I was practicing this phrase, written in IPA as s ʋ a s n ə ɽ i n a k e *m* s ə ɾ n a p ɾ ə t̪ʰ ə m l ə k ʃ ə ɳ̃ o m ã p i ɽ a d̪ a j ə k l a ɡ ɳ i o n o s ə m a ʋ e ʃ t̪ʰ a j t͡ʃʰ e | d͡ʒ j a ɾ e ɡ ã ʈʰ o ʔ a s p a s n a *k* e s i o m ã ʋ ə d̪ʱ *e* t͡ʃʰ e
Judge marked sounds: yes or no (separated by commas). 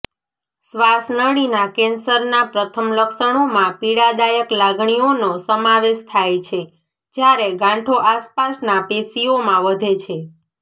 no, no, yes